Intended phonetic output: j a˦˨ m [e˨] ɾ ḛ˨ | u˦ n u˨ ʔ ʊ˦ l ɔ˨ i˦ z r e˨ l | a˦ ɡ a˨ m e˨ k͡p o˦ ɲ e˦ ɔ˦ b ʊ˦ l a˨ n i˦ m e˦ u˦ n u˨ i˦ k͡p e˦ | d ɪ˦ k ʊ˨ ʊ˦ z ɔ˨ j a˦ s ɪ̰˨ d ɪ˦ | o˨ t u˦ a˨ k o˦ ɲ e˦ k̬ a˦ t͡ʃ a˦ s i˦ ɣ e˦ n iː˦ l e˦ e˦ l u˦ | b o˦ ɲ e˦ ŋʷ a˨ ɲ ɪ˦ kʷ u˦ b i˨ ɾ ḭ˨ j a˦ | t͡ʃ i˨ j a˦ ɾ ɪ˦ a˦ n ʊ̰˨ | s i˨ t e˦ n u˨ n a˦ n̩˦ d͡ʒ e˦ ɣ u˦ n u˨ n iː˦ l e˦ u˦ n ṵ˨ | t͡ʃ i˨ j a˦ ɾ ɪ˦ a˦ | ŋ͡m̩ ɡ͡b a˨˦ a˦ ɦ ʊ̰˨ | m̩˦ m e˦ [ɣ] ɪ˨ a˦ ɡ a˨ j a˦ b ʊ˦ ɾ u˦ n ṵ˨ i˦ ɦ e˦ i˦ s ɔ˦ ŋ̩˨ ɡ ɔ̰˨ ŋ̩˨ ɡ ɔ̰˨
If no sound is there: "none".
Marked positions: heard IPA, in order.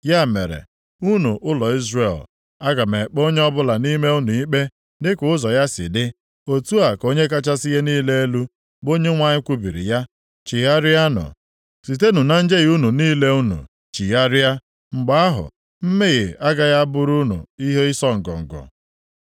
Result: e˨, ɣ

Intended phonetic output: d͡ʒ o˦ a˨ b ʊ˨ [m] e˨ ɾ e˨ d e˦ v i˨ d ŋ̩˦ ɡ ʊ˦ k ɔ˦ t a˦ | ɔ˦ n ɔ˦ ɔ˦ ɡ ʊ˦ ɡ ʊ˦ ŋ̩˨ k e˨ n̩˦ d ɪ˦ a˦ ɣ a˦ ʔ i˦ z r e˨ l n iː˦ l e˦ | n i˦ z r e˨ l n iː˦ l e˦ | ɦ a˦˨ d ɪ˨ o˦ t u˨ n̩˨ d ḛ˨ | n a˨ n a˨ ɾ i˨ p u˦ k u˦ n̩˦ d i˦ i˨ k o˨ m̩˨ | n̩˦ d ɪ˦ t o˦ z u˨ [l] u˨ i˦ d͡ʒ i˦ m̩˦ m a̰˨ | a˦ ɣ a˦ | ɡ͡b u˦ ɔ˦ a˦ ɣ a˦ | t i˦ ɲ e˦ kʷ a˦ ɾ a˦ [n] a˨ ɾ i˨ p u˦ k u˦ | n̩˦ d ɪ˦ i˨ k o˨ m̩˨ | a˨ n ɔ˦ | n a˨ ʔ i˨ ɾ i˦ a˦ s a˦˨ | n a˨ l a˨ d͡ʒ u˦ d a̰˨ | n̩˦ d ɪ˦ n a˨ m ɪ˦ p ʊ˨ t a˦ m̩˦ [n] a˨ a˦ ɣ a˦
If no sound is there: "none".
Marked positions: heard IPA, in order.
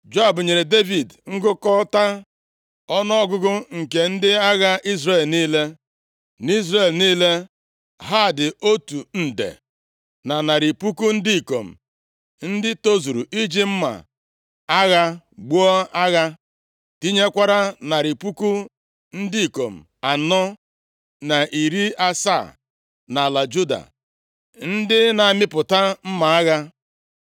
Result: ɲ, ɾ, n, m

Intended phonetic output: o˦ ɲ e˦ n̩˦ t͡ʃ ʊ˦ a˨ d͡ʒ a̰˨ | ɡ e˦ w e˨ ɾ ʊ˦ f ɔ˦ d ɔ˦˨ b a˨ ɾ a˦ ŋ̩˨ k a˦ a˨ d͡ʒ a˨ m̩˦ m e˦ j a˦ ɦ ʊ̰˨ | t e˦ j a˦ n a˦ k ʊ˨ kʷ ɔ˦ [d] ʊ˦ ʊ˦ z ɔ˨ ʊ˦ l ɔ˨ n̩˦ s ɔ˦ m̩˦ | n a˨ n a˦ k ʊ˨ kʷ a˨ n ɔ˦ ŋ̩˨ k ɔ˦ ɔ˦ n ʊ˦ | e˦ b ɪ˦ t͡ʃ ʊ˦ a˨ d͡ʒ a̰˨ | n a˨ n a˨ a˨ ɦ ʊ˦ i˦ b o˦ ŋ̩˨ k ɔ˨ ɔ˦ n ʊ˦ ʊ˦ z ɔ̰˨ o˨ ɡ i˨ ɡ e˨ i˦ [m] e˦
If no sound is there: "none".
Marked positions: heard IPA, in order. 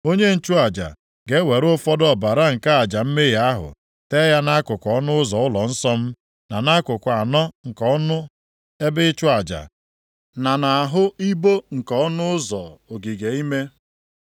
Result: n, m

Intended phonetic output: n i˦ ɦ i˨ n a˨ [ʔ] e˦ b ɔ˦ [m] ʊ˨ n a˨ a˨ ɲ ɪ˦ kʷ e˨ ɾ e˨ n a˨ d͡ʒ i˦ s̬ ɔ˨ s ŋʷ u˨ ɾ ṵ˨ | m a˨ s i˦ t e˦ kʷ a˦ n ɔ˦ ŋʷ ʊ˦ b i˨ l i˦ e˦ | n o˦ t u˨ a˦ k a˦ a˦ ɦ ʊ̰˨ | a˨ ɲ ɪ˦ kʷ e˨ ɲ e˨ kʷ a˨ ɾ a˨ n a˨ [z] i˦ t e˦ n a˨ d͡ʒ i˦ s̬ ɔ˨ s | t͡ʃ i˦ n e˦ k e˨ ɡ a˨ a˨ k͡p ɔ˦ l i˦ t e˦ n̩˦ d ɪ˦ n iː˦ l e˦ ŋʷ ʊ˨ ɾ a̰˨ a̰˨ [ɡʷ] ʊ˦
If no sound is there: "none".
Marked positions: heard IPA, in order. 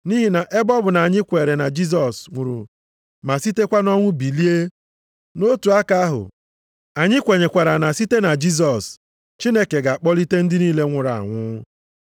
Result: ʔ, b, s, ŋʷ

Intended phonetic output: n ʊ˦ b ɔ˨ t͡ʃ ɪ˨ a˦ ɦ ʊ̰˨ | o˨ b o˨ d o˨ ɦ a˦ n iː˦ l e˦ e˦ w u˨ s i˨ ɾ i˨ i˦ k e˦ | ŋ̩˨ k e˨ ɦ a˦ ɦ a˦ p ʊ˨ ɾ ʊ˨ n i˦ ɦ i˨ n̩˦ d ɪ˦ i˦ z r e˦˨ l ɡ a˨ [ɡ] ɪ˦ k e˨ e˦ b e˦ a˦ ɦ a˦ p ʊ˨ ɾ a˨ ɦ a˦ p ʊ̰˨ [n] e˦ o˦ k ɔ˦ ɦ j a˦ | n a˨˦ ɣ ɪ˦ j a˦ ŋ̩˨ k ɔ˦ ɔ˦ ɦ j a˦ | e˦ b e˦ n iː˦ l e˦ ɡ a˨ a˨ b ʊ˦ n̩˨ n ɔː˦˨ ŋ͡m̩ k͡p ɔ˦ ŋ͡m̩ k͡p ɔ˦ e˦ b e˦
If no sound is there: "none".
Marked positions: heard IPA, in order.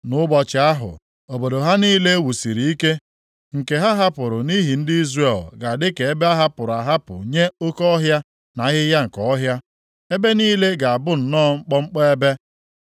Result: d, ɲ

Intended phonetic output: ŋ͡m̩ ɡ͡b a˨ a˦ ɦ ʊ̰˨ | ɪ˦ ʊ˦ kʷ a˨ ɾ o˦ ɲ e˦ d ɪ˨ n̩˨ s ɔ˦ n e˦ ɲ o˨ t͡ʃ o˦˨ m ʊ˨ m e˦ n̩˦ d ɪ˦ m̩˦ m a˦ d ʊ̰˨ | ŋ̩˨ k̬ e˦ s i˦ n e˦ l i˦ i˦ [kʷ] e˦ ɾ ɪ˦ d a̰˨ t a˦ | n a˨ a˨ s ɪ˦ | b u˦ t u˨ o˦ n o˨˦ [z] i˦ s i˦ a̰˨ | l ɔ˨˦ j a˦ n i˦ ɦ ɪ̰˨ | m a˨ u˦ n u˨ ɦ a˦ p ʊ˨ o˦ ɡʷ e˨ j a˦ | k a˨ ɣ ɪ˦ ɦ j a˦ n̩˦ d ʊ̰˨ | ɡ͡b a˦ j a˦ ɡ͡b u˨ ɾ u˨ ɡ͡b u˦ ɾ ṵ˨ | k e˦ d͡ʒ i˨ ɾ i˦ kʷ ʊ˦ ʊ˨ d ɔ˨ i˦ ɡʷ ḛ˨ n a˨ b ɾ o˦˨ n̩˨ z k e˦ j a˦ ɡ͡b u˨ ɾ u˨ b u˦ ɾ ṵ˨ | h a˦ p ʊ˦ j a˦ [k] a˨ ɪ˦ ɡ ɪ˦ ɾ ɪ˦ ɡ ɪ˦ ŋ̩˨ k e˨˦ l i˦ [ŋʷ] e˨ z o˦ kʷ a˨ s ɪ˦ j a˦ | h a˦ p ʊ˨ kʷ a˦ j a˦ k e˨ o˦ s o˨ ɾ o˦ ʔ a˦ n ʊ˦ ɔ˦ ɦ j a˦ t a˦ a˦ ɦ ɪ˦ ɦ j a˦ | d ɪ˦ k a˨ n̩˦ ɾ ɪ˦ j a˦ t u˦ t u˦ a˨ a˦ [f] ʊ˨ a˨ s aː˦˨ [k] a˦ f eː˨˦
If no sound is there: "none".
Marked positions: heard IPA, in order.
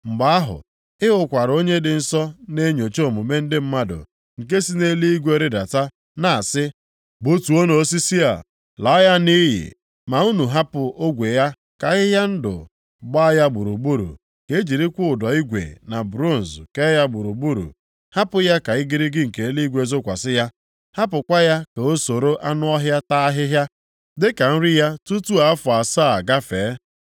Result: ɡʷ, s, k, ɡʷ, f, ɡ

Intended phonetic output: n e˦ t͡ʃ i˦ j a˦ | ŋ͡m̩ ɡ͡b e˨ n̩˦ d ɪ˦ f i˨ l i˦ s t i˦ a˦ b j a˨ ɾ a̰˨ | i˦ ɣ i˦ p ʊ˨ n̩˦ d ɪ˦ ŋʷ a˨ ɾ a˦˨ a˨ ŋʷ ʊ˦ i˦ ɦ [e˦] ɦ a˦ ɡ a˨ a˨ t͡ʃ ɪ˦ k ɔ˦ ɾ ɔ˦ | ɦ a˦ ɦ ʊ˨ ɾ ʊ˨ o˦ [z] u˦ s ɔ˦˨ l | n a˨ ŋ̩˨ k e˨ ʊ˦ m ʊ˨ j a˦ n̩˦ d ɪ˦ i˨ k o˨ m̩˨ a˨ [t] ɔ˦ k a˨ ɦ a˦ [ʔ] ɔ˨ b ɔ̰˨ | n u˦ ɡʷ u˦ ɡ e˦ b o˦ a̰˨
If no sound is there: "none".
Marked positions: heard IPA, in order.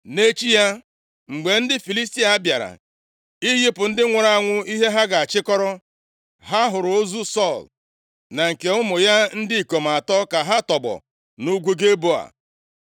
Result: e˦, z, t, t

